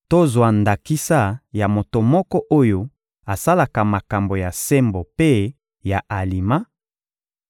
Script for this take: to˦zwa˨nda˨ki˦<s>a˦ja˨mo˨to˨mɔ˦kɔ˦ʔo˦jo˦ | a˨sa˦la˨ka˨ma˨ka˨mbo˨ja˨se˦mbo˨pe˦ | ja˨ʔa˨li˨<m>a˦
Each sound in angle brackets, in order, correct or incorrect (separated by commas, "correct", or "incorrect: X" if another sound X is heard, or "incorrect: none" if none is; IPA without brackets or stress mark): correct, correct